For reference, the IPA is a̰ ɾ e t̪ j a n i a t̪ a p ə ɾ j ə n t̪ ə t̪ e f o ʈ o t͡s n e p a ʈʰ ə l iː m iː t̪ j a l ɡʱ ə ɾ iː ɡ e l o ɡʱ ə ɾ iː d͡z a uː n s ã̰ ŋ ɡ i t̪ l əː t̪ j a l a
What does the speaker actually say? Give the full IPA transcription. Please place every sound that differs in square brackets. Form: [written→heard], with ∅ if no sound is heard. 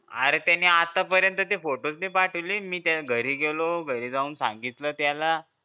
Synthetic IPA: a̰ ɾ e t̪ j a n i a t̪ a p ə ɾ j ə n t̪ ə t̪ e f o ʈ o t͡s n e p a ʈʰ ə l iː m iː t̪ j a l ɡʱ ə ɾ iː ɡ e l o ɡʱ ə ɾ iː d͡z a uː n s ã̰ ŋ ɡ i t̪ l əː t̪ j a l a